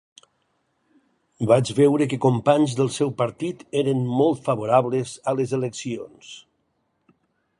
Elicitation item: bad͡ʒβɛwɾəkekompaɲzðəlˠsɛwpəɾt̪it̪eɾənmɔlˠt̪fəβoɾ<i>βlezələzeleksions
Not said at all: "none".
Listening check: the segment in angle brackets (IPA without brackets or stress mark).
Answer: a